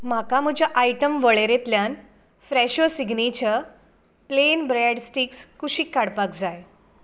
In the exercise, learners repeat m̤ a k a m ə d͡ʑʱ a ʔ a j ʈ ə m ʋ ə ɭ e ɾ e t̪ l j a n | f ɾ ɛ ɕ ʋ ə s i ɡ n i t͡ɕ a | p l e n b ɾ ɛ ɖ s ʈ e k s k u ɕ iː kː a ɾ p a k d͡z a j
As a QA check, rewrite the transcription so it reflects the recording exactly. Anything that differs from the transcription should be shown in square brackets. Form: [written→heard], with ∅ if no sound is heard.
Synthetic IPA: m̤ a k a m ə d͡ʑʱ a ʔ a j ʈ ə m ʋ ə ɭ e ɾ e t̪ l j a n | f ɾ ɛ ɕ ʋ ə s i ɡ n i t͡ɕ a | p l e n b ɾ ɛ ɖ s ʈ [e→i] k s k u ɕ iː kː a [ɾ→ɽ] p a k d͡z a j